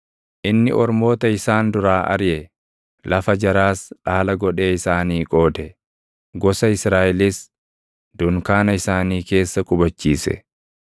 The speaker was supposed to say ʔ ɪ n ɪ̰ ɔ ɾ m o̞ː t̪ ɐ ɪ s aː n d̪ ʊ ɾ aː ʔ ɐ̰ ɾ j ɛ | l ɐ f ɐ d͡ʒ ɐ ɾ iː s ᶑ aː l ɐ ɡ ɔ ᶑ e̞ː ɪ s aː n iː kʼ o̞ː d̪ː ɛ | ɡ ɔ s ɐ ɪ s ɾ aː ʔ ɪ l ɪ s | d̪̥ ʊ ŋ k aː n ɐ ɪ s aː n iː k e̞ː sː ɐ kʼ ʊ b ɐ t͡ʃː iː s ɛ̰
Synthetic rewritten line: ʔ ɪ nː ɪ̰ ɔ ɾ m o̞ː t̪ ɐ ɪ s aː n d̪ ʊ ɾ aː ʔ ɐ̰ ɾ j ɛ | l ɐ f ɐ d͡ʒ ɐ ɾ aː s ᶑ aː l ɐ ɡ ɔ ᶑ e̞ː ɪ s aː n iː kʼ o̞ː d̪ ɛ | ɡ ɔ s ɐ ɪ s ɾ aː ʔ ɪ l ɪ s | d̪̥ ʊ ŋ k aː n ɐ ɪ s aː n iː k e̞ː sː ɐ kʼ ʊ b ɐ t͡ʃː iː s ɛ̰

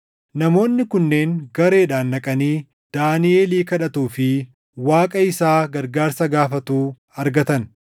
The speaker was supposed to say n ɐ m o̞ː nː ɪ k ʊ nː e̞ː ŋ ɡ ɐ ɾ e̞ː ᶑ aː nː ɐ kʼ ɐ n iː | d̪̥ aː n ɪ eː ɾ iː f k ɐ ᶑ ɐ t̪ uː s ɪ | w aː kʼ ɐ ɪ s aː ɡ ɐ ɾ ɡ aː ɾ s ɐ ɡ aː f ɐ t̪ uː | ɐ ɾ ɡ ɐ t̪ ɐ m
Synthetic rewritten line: n ɐ m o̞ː nː ɪ k ʊ nː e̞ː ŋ ɡ ɐ ɾ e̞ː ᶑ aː nː ɐ kʼ ɐ n iː | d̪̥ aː n ɪ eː l iː k ɐ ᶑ ɐ t̪ uː f ɪ | w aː kʼ ɐ ɪ s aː ɡ ɐ ɾ ɡ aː ɾ s ɐ ɡ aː f ɐ t̪ uː | ɐ ɾ ɡ ɐ t̪ ɐ n

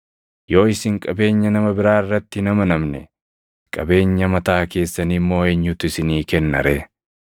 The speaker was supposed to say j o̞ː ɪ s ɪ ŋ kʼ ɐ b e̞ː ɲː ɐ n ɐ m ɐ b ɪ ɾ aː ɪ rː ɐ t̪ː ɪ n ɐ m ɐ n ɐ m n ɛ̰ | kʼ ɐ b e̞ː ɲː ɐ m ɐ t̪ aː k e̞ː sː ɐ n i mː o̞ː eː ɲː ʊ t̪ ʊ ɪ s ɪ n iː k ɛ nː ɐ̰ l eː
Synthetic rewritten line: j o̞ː ɪ s ɪ ŋ kʼ ɐ b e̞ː ɲː ɐ n ɐ m ɐ b ɪ ɾ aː ɪ rː ɐ t̪ː ɪ n ɐ m ɐ n ɐ m n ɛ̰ | kʼ ɐ b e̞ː ɲː ɐ m ɐ t̪ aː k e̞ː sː ɐ n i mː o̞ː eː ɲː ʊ t̪ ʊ ɪ s ɪ n iː k ɛ nː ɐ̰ ɾ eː

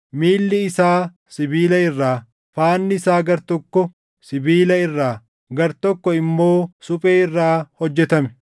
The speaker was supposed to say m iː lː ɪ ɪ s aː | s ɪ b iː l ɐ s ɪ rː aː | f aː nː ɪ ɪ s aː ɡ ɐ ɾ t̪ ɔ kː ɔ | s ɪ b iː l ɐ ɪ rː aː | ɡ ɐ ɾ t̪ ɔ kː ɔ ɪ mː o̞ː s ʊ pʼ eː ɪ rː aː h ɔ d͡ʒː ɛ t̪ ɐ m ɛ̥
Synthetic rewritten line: m iː lː ɪ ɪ s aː | s ɪ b iː l ɐ ɪ rː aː | f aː nː ɪ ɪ s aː ɡ ɐ ɾ t̪ ɔ kː ɔ | s ɪ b iː l ɐ ɪ rː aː | ɡ ɐ ɾ t̪ ɔ kː ɔ ɪ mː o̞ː s ʊ pʼ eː ɪ rː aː h ɔ d͡ʒː ɛ t̪ ɐ m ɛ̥

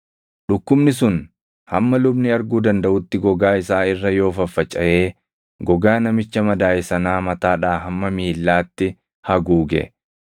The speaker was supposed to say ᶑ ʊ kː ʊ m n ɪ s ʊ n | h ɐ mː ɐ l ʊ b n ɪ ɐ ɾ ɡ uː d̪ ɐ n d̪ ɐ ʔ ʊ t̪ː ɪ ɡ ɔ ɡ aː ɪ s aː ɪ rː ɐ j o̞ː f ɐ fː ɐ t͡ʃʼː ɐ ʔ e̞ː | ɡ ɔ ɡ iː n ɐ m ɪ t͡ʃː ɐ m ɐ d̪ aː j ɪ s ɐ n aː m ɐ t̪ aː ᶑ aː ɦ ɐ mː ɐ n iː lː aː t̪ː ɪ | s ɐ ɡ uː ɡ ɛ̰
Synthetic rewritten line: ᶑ ʊ kː ʊ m n ɪ s ʊ n | h ɐ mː ɐ l ʊ b n ɪ ɐ ɾ ɡ uː d̪ ɐ n d̪ ɐ ʔ ʊ t̪ː ɪ ɡ ɔ ɡ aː ɪ s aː ɪ rː ɐ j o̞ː f ɐ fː ɐ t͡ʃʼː ɐ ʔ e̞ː | ɡ ɔ ɡ aː n ɐ m ɪ t͡ʃː ɐ m ɐ d̪ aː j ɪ s ɐ n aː m ɐ t̪ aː ᶑ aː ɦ ɐ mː ɐ m iː lː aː t̪ː ɪ | h ɐ ɡ uː ɡ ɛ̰

